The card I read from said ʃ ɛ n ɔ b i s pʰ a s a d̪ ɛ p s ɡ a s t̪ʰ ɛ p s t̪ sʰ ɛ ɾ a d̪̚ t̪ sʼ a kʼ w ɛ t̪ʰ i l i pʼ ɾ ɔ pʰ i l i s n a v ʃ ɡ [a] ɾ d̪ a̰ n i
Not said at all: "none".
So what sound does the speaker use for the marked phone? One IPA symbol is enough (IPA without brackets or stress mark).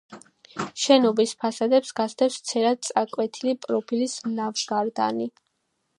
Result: a